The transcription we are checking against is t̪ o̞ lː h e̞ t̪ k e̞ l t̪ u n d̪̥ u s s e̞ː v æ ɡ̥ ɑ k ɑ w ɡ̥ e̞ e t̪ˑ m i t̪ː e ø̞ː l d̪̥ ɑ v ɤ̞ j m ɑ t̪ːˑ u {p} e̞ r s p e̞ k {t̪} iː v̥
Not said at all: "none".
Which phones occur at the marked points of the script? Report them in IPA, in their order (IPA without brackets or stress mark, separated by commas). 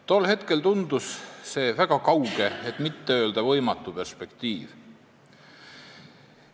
p, t̪